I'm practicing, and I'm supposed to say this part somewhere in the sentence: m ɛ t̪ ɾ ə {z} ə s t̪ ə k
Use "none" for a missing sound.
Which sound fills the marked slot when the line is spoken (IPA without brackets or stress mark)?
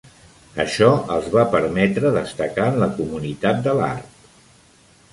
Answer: ð